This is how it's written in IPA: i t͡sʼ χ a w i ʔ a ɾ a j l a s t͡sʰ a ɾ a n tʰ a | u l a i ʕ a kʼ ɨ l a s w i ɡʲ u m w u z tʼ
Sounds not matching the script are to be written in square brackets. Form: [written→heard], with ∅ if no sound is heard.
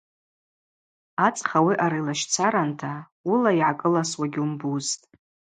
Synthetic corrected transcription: [i→a] t͡sʼ χ a w i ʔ a ɾ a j l a [s→ʃ] t͡sʰ a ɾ a n tʰ a | u l a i ʕ a kʼ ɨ l a s w [i→a] ɡʲ u m [w→b] u z tʼ